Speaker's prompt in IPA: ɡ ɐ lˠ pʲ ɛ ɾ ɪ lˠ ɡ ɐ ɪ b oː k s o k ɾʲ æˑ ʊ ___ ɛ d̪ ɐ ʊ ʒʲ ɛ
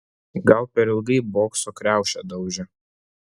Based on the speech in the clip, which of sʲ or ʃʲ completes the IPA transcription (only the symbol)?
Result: ʃʲ